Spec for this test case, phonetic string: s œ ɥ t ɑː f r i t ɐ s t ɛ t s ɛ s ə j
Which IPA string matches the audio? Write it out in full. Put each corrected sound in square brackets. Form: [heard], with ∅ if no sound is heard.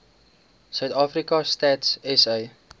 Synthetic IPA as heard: s œ ɥ t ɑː f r i [k] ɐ s t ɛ t s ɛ s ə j